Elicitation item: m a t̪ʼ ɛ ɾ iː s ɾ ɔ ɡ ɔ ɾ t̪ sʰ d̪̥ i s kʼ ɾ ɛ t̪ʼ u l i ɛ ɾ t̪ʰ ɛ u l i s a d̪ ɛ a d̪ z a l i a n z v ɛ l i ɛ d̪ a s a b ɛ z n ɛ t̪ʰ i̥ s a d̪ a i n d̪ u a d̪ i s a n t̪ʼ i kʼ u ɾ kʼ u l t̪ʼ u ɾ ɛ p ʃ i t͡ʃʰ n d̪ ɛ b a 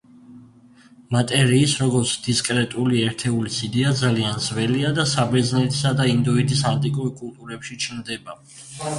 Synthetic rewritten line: m a t̪ʼ ɛ ɾ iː s ɾ ɔ ɡ ɔ ɾ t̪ sʰ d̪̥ i s kʼ ɾ ɛ t̪ʼ u l i ɛ ɾ t̪ʰ ɛ u l i s i d̪ ɛ a d̪ z a l i a n z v ɛ l i a d̪ a s a b ɛ z n ɛ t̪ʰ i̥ s a d̪ a i n d̪ u i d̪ i s a n t̪ʼ i kʼ u ɾ kʼ u l t̪ʼ u ɾ ɛ p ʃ i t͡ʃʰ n d̪ ɛ b a